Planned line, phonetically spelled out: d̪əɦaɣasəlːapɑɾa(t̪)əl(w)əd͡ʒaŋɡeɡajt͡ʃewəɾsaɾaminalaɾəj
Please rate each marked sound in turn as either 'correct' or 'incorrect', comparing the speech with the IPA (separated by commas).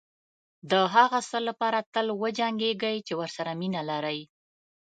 correct, correct